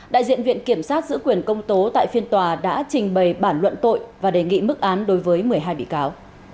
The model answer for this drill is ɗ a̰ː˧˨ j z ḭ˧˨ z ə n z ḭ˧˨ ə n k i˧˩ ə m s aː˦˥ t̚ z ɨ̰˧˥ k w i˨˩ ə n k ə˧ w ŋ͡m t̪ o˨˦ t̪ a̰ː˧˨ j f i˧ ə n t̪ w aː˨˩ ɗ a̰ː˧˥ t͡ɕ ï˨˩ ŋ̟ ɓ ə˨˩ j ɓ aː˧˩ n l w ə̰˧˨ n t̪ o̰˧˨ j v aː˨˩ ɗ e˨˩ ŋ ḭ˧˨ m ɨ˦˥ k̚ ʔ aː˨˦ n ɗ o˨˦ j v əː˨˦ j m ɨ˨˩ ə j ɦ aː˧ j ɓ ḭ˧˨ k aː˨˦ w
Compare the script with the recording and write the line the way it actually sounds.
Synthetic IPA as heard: ɗ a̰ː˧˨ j z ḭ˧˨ ə n v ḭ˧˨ ə n k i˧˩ ə m s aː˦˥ t̚ z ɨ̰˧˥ k w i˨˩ ə n k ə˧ w ŋ͡m t̪ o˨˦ t̪ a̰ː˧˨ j f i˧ ə n t̪ w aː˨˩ ɗ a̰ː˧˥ t͡ɕ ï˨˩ ŋ̟ ɓ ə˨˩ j ɓ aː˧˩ n l w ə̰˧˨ n t̪ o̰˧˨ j v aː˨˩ ɗ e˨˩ ŋ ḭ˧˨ m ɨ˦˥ k̚ ʔ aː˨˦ n ɗ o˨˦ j v əː˨˦ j m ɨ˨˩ ə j ɦ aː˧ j ɓ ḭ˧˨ k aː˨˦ w